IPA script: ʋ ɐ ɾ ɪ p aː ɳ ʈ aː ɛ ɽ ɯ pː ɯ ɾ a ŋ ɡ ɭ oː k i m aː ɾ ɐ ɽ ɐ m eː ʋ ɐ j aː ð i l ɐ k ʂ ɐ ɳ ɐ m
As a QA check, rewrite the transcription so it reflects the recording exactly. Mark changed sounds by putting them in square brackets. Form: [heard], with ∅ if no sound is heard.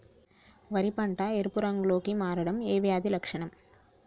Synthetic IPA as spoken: ʋ ɐ ɾ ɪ p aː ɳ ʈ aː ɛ [ɾ] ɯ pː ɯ ɾ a ŋ ɡ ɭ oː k i m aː ɾ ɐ ɽ ɐ m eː ʋ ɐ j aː ð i l ɐ k ʂ ɐ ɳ ɐ m